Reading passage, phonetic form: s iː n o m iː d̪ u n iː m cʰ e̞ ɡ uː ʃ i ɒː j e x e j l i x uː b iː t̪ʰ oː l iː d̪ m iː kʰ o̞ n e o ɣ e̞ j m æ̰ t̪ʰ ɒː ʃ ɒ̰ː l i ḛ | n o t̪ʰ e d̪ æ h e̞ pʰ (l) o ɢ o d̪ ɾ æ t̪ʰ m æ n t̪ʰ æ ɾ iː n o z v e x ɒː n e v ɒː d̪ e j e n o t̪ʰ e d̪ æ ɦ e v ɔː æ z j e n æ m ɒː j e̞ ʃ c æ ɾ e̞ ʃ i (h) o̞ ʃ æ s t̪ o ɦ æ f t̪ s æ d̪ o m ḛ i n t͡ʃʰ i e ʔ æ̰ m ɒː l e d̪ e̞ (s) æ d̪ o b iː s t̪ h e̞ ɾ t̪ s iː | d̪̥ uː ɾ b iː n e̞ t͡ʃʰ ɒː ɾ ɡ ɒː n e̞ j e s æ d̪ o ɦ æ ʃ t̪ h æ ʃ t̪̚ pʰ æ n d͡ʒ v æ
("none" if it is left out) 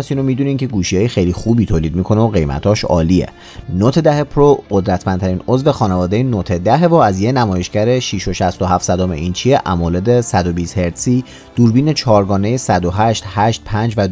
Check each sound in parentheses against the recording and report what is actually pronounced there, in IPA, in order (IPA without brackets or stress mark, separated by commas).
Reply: ɾ, ʃ, s